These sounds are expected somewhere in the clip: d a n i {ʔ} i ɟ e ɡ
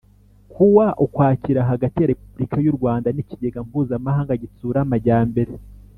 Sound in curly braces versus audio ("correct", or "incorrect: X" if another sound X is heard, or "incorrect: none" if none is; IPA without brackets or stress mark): incorrect: c